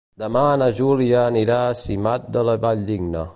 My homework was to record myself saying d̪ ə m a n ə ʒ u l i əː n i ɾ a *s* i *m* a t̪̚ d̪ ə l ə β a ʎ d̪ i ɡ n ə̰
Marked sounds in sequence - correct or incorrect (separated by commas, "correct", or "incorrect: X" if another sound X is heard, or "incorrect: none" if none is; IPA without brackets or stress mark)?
correct, correct